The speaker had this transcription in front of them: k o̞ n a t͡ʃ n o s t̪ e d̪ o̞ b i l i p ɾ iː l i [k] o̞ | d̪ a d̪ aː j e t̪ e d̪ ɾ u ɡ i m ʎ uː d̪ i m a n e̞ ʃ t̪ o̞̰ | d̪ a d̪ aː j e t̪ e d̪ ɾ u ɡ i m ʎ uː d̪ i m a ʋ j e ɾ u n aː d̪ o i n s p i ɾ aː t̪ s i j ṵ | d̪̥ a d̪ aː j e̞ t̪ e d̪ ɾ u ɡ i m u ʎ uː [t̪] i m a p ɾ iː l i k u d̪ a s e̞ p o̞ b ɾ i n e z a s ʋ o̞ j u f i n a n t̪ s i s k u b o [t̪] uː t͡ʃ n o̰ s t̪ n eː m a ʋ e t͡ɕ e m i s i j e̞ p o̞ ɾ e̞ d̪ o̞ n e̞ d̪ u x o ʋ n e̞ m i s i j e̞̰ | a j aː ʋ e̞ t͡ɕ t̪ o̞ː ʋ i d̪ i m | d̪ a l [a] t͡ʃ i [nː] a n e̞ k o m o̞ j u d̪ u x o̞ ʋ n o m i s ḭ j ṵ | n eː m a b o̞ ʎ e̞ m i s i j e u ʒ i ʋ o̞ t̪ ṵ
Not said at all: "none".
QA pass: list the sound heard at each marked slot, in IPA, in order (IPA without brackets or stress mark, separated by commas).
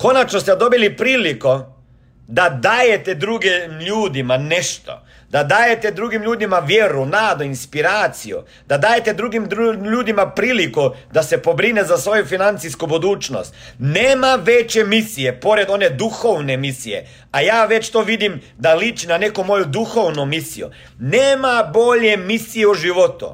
k, d̪, d̪, i, n